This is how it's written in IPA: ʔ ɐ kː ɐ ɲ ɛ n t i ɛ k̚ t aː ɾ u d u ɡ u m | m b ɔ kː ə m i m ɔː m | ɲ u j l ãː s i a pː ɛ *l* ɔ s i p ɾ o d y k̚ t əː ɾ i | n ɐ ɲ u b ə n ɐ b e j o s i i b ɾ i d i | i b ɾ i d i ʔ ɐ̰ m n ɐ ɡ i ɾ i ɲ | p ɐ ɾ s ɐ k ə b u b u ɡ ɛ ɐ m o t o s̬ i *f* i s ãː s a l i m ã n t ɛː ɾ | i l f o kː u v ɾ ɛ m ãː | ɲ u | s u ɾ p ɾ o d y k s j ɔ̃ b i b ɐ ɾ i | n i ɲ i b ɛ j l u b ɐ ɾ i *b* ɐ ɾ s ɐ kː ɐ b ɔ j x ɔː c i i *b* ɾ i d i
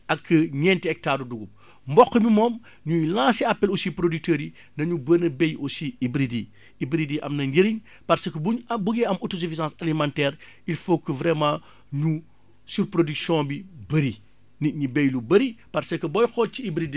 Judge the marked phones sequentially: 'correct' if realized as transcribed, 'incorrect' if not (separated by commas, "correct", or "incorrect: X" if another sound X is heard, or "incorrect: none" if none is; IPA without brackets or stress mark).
correct, correct, incorrect: p, correct